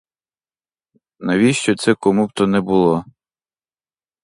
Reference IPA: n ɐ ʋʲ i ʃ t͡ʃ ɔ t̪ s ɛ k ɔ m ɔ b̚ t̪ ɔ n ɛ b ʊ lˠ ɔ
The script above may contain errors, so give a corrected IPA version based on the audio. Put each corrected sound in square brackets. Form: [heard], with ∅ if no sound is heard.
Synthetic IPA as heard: n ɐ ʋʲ i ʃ t͡ʃ ɔ t̪ s ɛ k ɔ m [u] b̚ t̪ ɔ n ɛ b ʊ lˠ ɔ